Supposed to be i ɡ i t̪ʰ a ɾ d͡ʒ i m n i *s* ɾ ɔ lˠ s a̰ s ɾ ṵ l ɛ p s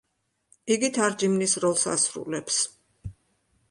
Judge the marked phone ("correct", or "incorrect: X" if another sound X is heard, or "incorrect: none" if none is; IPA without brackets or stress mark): correct